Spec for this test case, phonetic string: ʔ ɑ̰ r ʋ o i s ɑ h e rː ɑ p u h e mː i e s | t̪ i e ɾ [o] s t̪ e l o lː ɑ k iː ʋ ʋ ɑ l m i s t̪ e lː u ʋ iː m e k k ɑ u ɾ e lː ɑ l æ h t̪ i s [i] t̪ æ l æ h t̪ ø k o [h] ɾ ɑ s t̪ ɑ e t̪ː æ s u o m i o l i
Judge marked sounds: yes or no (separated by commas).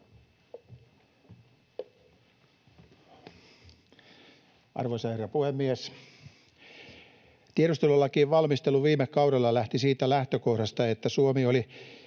no, no, yes